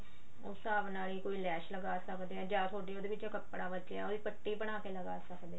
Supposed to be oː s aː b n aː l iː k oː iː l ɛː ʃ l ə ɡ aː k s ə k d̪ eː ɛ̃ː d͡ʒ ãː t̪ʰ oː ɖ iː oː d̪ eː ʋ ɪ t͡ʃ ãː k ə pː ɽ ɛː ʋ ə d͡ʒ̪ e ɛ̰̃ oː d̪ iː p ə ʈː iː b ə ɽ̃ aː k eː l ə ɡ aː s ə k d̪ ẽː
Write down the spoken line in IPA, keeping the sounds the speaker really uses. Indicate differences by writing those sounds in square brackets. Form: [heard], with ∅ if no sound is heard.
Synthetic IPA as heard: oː s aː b n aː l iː k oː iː l ɛː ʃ l ə ɡ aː [∅] s ə k d̪ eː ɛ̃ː d͡ʒ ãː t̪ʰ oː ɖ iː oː d̪ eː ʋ ɪ t͡ʃ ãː k ə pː ɽ [aː] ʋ ə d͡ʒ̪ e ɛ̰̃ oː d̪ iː p ə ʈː iː b ə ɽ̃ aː k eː l ə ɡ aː s ə k d̪ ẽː